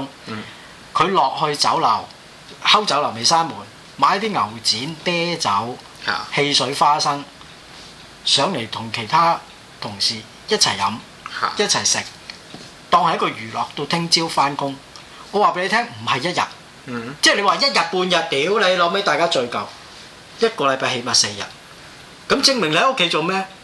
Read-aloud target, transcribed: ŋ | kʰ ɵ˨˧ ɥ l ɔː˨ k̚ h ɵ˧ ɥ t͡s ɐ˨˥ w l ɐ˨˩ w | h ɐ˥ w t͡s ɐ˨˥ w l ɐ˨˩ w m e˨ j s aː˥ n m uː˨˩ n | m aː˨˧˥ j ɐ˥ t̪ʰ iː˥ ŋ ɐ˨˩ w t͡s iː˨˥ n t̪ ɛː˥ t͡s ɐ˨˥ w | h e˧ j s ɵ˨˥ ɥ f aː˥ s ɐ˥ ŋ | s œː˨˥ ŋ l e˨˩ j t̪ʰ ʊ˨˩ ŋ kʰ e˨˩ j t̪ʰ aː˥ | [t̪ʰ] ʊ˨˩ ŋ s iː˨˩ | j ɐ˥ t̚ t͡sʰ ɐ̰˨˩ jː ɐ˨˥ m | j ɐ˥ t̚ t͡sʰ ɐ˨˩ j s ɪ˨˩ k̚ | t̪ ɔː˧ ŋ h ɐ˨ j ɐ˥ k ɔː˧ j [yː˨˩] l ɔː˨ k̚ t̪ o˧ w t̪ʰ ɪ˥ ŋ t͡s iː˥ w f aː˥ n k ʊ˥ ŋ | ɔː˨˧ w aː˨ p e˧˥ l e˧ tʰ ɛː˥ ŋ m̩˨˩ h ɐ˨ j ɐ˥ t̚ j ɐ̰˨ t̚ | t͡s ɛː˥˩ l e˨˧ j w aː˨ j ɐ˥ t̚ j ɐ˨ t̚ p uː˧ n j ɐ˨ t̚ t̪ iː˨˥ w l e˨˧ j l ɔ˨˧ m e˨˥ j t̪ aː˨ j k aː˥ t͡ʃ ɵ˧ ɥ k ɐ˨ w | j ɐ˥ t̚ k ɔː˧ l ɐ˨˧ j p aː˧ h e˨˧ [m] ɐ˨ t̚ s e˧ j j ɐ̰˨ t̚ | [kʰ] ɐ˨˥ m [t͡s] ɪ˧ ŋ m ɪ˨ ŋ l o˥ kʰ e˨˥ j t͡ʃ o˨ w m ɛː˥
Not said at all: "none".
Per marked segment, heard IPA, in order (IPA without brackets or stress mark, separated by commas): t̪ʰ, yː˨˩, m, k, t͡s